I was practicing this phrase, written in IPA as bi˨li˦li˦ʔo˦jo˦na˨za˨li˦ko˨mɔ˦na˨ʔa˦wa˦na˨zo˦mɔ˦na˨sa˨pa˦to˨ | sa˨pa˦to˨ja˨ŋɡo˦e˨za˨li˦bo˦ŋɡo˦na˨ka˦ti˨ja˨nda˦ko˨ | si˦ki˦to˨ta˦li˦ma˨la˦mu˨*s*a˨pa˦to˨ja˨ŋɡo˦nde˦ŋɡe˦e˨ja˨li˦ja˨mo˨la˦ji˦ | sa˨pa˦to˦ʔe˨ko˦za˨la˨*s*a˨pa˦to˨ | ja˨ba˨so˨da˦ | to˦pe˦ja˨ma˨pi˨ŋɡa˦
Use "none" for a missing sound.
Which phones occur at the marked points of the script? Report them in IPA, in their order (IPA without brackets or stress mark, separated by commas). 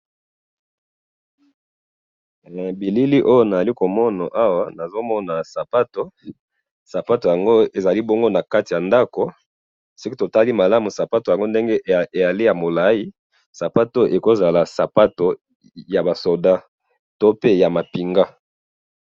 s, s